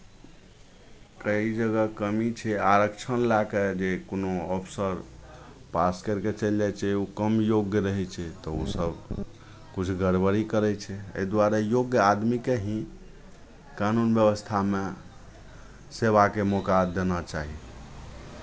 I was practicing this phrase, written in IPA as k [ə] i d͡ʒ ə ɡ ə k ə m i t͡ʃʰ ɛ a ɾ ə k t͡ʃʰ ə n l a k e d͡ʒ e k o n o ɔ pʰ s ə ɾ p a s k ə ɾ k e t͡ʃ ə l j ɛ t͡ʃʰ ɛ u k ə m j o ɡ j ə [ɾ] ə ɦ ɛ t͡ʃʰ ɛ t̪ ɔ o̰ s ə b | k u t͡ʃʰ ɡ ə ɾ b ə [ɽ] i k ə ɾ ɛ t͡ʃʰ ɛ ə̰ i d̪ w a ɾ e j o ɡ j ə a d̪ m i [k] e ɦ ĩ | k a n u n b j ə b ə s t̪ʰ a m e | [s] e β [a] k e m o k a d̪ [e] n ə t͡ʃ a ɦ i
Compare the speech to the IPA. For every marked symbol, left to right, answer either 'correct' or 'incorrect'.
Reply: correct, correct, incorrect, correct, correct, correct, correct

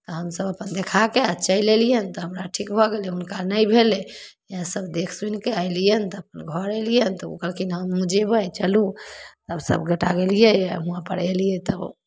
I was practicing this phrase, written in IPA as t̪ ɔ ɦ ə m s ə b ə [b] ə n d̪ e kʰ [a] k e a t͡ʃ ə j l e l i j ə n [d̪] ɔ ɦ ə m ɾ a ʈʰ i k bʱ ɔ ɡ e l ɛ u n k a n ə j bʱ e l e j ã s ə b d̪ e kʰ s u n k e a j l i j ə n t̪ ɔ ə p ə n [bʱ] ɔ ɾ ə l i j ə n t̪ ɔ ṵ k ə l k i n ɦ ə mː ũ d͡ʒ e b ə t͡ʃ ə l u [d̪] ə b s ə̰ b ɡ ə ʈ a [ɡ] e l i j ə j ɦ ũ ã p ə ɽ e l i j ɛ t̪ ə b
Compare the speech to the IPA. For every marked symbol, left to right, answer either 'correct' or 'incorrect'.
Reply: incorrect, correct, incorrect, incorrect, incorrect, correct

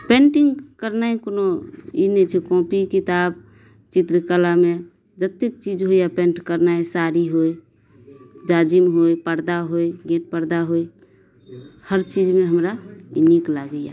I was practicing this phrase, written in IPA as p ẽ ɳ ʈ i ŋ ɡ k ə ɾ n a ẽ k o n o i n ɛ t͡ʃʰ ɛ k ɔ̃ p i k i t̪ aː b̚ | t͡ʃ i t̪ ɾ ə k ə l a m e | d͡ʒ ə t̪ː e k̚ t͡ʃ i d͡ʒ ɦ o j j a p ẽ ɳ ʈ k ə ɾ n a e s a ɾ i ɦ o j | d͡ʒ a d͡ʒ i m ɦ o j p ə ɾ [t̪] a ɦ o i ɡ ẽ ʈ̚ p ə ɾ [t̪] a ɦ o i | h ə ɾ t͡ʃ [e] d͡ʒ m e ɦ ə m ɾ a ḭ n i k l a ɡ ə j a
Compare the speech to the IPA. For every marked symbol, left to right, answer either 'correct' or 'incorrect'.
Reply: incorrect, incorrect, incorrect

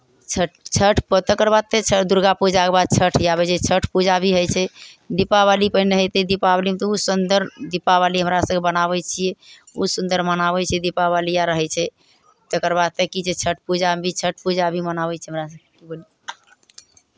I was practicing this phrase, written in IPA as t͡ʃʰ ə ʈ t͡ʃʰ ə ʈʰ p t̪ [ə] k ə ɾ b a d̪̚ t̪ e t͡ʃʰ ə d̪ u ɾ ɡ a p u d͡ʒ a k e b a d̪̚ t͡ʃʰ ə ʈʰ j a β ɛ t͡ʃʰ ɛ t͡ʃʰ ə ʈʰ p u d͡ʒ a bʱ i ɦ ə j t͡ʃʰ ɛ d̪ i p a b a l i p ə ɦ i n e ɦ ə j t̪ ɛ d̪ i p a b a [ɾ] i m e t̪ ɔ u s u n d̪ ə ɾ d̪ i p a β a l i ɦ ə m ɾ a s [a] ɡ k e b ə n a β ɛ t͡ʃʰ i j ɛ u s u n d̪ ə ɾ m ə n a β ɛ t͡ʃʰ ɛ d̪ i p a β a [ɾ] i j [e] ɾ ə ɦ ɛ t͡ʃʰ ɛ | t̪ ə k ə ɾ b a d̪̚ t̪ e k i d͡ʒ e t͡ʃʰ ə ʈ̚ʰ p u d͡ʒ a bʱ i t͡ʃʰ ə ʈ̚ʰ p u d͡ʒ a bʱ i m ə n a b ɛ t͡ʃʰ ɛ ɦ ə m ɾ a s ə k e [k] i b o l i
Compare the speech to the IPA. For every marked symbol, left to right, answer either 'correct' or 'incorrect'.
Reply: correct, incorrect, incorrect, incorrect, incorrect, correct

